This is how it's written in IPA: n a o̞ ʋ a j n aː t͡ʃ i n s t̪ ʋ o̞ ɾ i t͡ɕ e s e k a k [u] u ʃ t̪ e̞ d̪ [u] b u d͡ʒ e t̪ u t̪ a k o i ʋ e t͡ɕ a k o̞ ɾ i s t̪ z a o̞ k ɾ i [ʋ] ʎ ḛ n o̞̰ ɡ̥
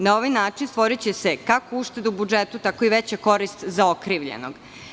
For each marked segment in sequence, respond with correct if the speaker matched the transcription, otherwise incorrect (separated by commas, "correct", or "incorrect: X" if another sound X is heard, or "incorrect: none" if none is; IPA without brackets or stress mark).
incorrect: o, correct, correct